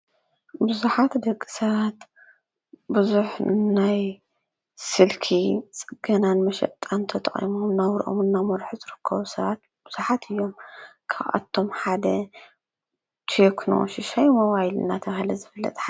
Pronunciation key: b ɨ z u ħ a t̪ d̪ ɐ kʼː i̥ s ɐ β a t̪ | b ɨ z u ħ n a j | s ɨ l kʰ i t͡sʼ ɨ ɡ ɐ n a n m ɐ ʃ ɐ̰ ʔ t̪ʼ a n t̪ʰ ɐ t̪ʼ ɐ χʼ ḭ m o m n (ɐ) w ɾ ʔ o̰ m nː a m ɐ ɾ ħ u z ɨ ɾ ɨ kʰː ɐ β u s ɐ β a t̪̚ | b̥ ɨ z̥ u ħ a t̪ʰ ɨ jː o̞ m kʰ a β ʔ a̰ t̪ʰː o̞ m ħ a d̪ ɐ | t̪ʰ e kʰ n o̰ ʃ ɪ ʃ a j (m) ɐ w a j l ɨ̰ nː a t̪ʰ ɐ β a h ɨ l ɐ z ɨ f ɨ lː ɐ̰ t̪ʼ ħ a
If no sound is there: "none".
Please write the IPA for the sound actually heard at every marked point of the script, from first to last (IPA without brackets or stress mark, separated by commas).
a, m